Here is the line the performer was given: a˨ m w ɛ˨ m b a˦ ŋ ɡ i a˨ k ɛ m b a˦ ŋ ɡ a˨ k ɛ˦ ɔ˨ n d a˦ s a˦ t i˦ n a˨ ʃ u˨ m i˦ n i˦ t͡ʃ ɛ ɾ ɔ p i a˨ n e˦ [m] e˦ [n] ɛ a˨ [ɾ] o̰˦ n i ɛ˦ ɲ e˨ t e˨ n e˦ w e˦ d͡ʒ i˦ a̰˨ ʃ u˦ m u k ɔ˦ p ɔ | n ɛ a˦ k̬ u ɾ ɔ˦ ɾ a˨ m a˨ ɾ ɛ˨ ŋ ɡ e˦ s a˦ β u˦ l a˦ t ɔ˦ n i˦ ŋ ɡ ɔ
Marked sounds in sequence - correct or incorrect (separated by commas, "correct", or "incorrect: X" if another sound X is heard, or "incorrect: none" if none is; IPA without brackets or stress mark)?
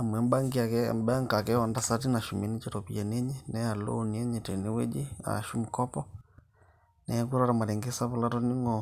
incorrect: ɲ, correct, incorrect: l